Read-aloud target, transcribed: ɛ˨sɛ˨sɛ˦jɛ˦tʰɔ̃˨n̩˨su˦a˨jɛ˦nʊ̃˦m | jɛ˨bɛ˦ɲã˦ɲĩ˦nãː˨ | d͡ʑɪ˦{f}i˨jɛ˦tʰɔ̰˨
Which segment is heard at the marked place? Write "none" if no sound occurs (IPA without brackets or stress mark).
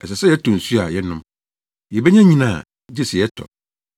s